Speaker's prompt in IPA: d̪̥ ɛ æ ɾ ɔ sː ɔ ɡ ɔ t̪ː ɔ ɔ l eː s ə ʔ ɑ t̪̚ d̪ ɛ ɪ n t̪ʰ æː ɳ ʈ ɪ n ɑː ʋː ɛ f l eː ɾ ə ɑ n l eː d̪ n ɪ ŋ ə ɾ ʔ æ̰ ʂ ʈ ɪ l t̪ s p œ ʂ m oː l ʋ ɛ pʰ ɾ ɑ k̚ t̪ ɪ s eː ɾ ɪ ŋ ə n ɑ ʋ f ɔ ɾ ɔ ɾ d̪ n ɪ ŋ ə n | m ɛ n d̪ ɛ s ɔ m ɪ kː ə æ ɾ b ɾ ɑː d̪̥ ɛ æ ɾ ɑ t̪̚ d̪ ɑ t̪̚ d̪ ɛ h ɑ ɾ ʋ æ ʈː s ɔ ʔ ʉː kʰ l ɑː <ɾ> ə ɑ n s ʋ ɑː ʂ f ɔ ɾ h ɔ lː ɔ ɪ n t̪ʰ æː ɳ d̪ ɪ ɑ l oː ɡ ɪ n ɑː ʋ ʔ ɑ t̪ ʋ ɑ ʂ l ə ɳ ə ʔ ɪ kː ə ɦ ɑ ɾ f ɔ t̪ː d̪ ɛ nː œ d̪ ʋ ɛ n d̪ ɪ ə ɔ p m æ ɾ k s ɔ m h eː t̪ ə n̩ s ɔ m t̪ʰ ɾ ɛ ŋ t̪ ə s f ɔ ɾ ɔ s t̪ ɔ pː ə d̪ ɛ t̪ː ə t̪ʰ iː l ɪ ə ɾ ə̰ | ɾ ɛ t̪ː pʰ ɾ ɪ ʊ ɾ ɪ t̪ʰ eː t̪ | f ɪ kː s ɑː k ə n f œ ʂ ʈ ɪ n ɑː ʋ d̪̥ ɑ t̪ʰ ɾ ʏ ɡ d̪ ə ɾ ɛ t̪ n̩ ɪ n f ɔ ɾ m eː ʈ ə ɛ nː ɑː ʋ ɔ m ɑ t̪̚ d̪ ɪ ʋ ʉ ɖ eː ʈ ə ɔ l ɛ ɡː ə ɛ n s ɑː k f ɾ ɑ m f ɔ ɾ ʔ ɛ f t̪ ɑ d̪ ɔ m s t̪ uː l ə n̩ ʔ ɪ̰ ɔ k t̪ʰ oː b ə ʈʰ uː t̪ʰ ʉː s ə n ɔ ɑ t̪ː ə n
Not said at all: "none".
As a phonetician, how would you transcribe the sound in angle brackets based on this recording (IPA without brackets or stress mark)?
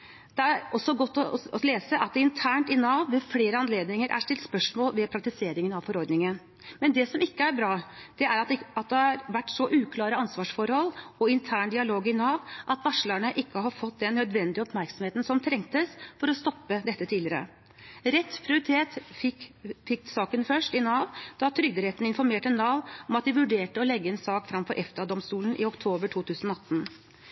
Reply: ɾ